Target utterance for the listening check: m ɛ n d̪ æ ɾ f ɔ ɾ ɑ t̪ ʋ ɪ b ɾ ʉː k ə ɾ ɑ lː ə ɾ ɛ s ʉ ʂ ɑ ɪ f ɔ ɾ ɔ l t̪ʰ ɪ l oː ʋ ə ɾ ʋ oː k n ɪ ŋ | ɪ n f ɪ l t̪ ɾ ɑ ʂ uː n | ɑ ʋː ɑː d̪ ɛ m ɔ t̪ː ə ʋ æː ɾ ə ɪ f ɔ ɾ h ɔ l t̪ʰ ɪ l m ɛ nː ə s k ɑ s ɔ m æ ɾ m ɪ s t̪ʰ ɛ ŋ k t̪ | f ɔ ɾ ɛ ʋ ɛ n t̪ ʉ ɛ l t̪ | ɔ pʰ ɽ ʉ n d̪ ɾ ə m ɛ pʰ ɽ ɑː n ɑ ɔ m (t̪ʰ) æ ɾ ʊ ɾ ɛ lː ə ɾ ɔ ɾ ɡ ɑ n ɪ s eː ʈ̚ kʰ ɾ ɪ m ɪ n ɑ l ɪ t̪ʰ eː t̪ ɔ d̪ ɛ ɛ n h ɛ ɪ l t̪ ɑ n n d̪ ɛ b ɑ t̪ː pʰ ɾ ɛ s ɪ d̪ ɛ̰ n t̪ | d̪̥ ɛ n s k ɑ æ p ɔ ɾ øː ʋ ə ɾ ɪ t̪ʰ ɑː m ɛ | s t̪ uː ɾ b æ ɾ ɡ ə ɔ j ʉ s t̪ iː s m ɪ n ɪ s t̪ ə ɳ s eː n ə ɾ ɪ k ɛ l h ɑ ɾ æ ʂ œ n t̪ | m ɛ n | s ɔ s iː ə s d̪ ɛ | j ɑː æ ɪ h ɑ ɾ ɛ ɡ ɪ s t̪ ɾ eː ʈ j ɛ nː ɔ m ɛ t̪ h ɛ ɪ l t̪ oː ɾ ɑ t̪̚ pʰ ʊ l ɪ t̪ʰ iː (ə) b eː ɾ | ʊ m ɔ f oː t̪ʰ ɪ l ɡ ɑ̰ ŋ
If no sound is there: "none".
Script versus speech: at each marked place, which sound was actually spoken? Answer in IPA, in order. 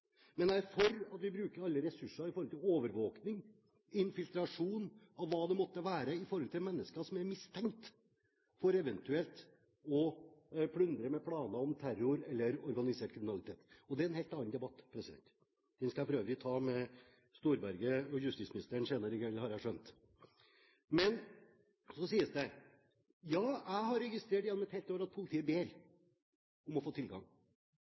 t̪ʰ, ə

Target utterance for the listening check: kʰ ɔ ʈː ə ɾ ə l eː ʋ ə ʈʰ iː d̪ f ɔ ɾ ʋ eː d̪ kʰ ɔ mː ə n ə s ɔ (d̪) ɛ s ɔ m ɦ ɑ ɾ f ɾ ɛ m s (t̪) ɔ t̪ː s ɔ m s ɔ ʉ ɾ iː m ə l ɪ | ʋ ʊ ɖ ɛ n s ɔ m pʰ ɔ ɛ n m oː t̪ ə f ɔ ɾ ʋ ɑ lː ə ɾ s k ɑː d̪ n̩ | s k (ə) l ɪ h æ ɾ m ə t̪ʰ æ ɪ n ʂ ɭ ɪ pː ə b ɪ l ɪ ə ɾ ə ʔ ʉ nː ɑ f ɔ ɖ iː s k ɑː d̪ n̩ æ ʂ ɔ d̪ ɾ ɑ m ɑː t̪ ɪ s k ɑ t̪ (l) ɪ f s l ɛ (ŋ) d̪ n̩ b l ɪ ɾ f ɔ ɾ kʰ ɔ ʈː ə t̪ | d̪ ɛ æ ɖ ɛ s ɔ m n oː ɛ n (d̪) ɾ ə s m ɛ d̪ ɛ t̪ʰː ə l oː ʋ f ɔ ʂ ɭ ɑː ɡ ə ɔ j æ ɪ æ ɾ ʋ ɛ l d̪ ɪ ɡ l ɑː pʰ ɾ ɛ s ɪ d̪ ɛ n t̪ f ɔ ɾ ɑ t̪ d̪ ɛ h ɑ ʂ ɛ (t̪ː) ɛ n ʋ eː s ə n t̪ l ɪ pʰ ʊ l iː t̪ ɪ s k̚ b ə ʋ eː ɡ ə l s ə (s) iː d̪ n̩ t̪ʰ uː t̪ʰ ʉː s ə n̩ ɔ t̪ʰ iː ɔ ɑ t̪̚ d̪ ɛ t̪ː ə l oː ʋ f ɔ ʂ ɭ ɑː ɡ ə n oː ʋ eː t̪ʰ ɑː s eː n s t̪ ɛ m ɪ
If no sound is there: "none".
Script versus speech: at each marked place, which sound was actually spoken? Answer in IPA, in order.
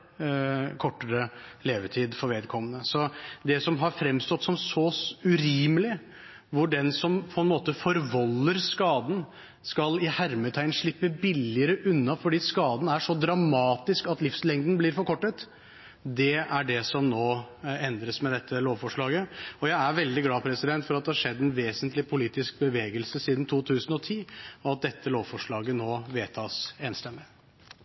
d̪, t̪, ɑ, l, ŋ, d̪, d̪ː, s

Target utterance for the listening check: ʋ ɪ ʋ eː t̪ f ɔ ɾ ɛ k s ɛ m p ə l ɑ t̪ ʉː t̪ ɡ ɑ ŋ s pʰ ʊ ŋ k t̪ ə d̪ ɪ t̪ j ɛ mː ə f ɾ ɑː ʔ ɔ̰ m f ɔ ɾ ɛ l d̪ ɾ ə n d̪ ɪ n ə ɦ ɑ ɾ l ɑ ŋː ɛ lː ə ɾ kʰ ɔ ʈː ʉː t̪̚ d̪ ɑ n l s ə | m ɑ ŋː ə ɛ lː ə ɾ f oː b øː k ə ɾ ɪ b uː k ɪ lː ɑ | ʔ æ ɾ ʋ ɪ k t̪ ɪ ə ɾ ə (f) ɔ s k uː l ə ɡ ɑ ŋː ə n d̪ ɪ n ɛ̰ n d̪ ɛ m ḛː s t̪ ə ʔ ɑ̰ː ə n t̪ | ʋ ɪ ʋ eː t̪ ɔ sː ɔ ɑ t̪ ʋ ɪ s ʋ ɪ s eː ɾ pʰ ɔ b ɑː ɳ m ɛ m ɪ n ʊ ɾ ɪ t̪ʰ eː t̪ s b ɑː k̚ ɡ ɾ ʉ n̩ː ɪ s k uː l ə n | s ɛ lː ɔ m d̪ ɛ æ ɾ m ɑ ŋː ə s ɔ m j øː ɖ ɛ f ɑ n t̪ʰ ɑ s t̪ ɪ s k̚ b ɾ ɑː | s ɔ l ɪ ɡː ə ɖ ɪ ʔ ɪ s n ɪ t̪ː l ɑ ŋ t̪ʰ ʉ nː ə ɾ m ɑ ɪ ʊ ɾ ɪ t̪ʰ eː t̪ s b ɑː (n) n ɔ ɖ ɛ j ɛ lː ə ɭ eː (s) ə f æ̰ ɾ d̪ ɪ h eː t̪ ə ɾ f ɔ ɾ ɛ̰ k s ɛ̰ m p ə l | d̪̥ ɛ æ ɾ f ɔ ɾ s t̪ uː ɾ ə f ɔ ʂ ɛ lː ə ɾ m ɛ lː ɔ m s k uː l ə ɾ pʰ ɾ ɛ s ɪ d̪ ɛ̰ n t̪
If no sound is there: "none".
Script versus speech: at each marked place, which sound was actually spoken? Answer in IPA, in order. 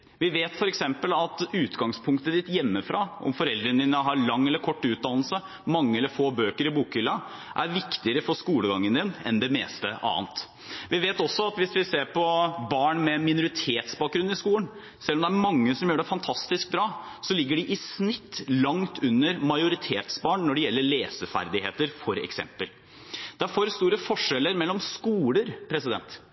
f, ɳ, s

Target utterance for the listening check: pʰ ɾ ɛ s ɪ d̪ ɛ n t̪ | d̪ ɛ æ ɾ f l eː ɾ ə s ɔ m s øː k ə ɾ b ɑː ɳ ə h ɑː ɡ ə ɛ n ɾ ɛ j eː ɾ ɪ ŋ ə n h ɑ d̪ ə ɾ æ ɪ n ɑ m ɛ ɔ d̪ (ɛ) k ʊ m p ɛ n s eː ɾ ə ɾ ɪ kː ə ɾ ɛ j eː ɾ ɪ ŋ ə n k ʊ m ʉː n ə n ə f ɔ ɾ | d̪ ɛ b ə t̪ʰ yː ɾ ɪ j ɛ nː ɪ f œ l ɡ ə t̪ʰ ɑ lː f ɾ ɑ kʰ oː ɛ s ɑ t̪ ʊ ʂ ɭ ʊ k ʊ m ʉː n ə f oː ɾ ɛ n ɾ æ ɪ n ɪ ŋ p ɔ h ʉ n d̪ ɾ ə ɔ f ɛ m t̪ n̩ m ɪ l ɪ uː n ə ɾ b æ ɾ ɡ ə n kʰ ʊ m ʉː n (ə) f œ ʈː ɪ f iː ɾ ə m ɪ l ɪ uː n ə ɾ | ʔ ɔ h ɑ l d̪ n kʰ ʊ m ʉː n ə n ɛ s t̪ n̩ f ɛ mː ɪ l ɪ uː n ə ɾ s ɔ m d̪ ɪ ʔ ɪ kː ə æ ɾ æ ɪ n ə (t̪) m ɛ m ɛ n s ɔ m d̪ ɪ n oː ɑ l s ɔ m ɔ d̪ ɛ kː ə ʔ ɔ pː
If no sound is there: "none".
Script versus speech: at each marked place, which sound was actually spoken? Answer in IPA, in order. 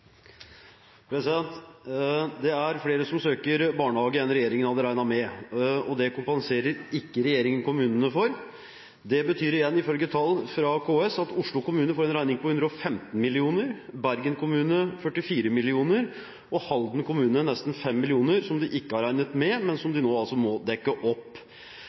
ɛ, ə, t̪

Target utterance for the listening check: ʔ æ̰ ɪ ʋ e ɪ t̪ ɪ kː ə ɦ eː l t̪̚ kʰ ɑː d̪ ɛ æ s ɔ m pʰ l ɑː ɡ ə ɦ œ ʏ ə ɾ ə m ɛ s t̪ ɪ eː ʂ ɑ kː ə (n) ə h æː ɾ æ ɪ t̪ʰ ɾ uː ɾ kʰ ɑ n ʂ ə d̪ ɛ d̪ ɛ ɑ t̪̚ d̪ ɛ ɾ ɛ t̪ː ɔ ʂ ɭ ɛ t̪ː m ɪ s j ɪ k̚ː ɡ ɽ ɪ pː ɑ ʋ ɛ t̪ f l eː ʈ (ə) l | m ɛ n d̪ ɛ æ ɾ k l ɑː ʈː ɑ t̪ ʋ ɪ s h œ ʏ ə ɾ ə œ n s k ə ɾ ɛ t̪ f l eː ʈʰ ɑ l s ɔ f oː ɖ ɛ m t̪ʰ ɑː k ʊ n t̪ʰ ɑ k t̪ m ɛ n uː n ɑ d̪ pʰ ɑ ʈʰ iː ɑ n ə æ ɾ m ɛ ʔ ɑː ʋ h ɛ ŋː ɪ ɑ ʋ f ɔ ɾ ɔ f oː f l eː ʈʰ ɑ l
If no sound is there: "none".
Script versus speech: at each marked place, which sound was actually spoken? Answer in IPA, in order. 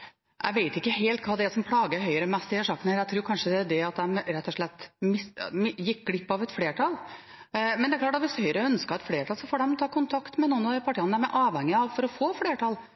n, ɑ

